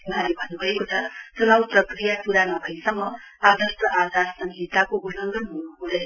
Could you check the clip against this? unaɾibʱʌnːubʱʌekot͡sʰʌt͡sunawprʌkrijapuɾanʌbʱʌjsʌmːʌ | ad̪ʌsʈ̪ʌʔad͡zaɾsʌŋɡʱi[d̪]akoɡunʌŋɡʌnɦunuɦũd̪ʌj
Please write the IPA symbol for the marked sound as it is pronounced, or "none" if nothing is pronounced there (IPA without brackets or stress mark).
t̪